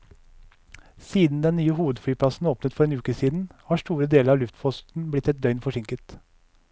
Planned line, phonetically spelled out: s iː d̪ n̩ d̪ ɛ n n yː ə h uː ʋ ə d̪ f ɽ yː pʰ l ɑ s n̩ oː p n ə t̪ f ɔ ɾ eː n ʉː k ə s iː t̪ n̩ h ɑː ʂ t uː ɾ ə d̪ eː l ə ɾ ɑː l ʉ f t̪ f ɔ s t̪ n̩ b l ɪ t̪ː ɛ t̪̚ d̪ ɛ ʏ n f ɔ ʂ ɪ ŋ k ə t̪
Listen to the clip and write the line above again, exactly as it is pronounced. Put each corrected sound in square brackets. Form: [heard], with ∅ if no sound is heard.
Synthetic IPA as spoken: s iː d̪ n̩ d̪ ɛ n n yː ə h uː ʋ ə d̪ f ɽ yː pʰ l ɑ s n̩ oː p n ə t̪ f ɔ ɾ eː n ʉː k ə s iː [d̪] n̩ h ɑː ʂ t uː ɾ ə d̪ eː l ə ɾ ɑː l ʉ f t̪ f ɔ s t̪ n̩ b l ɪ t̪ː ɛ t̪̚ d̪ [œ] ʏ n f ɔ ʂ ɪ ŋ k ə t̪

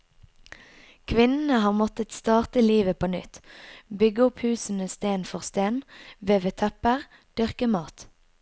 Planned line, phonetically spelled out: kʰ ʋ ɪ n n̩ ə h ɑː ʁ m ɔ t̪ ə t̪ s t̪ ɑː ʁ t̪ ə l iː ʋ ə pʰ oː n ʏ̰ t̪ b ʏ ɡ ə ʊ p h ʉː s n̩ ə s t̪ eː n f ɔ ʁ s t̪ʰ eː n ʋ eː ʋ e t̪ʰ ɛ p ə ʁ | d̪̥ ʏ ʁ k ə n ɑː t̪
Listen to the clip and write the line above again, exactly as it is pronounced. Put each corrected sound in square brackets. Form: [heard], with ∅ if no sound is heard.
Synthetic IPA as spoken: kʰ ʋ ɪ n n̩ ə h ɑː ʁ m ɔ t̪ ə t̪ s t̪ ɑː ʁ t̪ ə l iː ʋ ə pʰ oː n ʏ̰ t̪ b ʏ ɡ ə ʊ p h ʉː s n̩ ə s t̪ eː n f ɔ ʁ s [t̪] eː n ʋ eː ʋ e t̪ʰ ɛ p ə ʁ | d̪̥ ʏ ʁ k ə [m] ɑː t̪

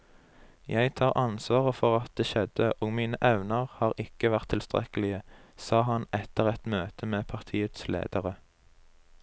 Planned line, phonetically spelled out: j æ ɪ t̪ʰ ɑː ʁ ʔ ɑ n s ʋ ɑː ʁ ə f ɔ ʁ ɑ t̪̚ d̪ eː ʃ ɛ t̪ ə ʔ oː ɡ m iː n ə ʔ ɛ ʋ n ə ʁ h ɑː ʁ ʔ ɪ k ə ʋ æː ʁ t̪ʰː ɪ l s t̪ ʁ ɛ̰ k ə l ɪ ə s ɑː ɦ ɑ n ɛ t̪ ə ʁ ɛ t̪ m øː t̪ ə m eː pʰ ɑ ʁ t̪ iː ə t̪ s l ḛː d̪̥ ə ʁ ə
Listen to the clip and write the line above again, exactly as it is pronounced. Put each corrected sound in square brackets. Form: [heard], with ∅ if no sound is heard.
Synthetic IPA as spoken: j æ ɪ t̪ʰ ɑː ʁ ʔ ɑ n s ʋ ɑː ʁ ə f ɔ ʁ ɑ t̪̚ d̪ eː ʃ ɛ [d̪] ə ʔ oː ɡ m iː n ə ʔ ɛ ʋ n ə ʁ h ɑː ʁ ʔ ɪ k ə ʋ [æ] ʁ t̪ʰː ɪ l s t̪ ʁ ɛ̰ k ə l ɪ ə s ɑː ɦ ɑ n ɛ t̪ ə ʁ ɛ t̪ m øː t̪ ə m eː pʰ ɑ ʁ [t̪ʰ] iː ə t̪ s l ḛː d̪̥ ə ʁ ə

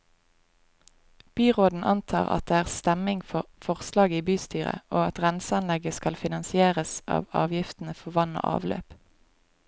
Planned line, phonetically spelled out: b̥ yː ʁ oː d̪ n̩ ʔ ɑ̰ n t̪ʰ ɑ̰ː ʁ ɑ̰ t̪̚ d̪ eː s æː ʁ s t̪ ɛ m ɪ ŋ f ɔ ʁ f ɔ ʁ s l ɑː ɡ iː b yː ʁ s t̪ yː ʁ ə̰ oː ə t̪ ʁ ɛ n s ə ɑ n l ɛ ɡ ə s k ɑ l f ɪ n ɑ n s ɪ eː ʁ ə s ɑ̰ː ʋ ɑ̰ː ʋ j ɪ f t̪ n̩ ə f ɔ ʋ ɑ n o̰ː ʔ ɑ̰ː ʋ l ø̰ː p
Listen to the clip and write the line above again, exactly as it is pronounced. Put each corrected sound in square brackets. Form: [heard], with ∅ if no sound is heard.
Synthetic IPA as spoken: b̥ yː ʁ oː d̪ n̩ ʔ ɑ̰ n t̪ʰ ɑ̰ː ʁ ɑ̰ t̪̚ d̪ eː [∅] æː ʁ s t̪ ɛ m ɪ ŋ f ɔ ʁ f ɔ ʁ s l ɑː ɡ iː b yː [∅] s t̪ yː ʁ ə̰ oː [ɑ] t̪ ʁ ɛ n s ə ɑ n l ɛ ɡ ə s k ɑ l f ɪ n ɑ n s ɪ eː ʁ ə s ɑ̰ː ʋ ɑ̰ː ʋ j ɪ f t̪ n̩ ə f ɔ ʋ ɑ n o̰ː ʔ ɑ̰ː ʋ l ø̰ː p

